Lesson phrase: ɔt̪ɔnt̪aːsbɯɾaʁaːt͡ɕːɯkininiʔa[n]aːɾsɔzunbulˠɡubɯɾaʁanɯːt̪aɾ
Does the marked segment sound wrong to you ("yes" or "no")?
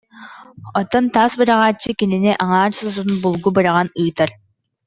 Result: yes